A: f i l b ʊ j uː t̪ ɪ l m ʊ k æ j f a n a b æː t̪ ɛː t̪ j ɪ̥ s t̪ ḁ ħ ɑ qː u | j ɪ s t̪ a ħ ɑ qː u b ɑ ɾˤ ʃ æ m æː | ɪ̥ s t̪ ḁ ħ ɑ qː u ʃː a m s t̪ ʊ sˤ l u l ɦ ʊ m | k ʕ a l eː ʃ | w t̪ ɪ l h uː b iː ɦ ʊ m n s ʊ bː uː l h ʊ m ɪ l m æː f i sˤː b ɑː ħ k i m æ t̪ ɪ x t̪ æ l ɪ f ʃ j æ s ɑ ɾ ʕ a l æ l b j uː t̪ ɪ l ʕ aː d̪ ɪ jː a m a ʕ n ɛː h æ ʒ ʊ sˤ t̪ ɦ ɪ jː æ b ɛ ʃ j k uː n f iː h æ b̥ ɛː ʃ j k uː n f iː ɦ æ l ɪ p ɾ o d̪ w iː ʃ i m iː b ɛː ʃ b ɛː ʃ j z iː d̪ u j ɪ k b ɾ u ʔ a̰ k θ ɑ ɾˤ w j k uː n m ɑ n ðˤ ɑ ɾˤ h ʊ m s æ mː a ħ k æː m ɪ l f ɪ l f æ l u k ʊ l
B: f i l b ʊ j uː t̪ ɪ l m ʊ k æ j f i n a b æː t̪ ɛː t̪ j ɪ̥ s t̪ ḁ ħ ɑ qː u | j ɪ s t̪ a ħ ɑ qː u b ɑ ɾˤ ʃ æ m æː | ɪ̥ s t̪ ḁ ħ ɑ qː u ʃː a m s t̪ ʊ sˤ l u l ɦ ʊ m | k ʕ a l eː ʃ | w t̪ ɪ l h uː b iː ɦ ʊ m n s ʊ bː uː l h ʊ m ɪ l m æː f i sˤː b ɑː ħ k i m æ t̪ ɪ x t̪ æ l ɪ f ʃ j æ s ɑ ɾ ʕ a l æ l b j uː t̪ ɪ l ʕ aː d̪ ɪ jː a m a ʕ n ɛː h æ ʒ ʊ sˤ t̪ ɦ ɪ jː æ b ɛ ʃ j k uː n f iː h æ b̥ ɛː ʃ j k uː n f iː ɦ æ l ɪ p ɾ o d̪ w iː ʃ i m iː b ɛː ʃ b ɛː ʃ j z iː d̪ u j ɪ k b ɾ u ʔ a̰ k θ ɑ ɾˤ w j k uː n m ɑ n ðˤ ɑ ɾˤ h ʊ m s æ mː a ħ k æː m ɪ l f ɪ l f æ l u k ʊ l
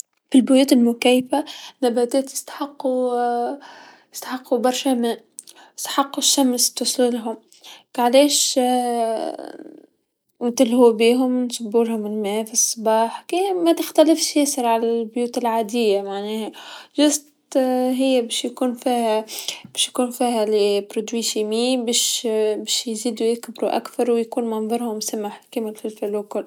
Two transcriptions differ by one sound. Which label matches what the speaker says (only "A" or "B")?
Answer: A